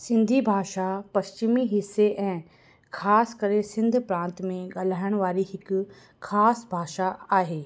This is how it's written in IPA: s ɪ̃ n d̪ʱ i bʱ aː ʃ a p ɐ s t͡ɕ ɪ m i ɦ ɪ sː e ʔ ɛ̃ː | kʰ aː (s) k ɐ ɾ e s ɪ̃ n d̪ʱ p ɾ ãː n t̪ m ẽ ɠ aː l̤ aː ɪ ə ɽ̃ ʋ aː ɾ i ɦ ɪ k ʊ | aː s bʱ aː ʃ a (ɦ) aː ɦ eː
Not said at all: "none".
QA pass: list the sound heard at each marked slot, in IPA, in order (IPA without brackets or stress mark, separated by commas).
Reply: s, none